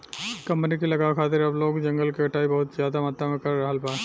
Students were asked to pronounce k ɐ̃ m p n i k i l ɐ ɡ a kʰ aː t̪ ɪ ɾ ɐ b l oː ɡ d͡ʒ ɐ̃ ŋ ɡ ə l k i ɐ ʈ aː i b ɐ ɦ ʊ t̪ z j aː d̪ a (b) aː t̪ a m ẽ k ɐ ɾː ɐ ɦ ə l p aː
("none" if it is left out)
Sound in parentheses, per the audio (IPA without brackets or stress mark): m